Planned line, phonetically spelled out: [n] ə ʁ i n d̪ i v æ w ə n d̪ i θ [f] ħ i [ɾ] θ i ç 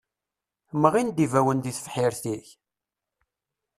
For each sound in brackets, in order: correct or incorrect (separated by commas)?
incorrect, correct, correct